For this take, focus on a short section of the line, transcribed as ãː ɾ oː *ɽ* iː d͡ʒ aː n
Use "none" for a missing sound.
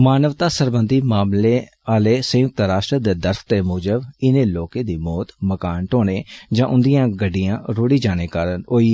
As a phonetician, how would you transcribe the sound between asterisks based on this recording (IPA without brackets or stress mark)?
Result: ɽ